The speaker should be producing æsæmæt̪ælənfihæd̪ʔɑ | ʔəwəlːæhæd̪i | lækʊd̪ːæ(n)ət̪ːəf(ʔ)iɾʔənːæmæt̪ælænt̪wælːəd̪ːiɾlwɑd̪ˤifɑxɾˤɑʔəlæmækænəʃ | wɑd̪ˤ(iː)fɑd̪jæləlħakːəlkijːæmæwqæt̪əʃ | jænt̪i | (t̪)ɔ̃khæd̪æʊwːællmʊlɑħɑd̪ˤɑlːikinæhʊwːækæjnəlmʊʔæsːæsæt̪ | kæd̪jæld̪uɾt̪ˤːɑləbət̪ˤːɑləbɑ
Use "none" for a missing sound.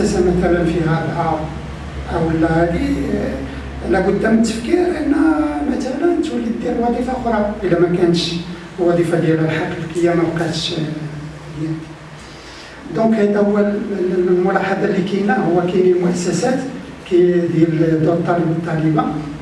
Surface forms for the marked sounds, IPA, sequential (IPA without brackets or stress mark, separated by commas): m, k, i, d̪